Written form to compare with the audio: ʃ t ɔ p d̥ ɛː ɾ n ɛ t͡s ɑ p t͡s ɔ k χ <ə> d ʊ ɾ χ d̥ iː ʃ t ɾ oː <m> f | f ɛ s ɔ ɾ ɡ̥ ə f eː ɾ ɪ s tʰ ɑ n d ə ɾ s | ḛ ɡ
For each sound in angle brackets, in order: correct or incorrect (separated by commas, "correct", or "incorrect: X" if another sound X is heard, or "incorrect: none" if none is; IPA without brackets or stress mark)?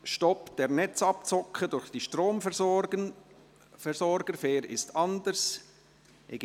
correct, correct